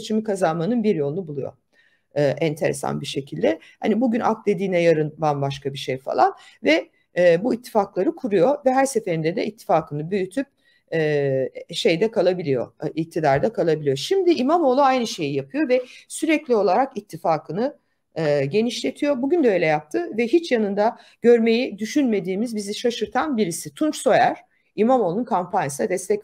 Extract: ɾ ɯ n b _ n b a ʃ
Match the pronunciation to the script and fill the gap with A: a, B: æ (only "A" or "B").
A